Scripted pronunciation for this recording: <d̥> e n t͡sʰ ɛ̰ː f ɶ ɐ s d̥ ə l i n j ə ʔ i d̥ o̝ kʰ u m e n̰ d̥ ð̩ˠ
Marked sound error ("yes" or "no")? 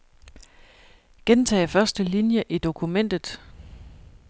yes